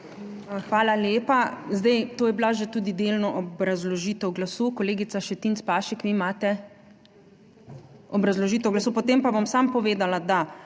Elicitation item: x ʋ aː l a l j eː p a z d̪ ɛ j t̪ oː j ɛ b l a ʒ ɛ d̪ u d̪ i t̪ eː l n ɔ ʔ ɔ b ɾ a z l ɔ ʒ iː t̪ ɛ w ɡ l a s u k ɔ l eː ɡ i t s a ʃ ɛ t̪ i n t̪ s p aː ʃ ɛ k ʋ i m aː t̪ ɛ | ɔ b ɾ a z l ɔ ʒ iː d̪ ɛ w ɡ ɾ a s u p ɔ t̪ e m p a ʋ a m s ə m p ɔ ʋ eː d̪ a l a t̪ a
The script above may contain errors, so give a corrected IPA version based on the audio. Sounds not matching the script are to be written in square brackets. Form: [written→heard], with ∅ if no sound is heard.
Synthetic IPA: x ʋ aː l a l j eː p a z d̪ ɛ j t̪ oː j ɛ b l a ʒ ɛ [d̪→t̪] u d̪ i [t̪→d̪] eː l n ɔ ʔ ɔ b ɾ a z l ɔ ʒ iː t̪ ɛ w ɡ l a s u k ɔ l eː ɡ i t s a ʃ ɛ t̪ i n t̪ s p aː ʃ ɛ k ʋ i m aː t̪ ɛ | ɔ b ɾ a z l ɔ ʒ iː [d̪→t̪] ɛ w ɡ [ɾ→l] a s u p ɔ t̪ e m p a ʋ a m s [ə→a] m p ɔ ʋ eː d̪ a l a [t̪→d̪] a